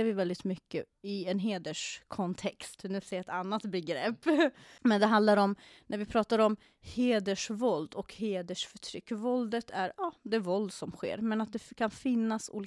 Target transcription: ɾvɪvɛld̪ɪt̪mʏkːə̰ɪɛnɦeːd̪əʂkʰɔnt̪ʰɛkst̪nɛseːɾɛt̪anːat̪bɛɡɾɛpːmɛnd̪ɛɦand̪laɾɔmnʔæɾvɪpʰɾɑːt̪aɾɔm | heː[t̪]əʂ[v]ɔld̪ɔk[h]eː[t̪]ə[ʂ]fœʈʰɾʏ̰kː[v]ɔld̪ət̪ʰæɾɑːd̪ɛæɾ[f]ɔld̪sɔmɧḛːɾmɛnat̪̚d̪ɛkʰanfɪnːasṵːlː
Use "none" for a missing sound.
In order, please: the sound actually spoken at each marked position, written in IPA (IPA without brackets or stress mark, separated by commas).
d̪, v, h, d̪, ʂ, v, v